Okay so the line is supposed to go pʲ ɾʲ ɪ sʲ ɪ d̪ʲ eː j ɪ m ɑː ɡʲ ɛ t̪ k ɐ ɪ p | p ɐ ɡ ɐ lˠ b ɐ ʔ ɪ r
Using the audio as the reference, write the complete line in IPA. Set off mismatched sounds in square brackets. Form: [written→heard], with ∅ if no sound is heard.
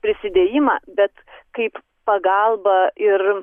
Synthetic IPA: pʲ ɾʲ ɪ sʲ ɪ d̪ʲ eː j ɪ m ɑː [ɡʲ→bʲ] ɛ t̪ k ɐ ɪ p | p ɐ ɡ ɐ lˠ b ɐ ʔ ɪ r